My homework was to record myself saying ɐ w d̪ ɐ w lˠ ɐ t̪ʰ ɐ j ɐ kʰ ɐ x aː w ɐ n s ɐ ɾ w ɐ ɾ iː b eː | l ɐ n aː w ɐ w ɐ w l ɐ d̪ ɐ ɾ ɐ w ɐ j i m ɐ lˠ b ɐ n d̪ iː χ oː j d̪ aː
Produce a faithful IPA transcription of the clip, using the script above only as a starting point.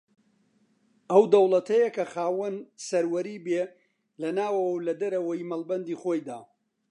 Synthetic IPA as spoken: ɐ w d̪ ɐ w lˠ ɐ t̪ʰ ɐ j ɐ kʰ ɐ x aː w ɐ n s ɐ ɾ w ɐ ɾ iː b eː | l ɐ n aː w ɐ w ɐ w l ɐ d̪ ɐ ɾ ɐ w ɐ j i m ɐ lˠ b ɐ n d̪ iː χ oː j d̪ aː